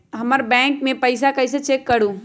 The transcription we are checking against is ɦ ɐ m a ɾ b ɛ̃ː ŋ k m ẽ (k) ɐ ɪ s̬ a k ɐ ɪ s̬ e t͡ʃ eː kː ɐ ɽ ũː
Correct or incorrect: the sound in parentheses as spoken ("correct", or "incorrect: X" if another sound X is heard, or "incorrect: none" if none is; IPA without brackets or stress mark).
incorrect: p